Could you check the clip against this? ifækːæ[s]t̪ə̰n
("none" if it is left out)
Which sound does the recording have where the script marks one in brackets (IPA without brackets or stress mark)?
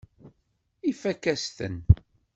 s